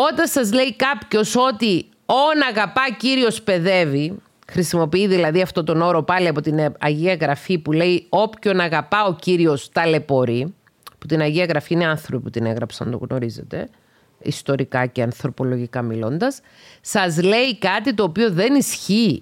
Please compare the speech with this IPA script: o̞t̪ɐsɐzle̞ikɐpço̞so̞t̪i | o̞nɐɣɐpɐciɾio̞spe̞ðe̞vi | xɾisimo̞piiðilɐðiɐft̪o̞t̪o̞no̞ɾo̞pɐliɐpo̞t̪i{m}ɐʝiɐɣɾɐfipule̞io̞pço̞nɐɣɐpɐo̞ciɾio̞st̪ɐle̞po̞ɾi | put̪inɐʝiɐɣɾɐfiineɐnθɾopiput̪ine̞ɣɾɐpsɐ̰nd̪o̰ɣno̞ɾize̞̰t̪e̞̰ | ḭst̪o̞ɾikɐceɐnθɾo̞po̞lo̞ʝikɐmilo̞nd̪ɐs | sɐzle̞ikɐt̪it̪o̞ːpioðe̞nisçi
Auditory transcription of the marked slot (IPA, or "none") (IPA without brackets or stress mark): n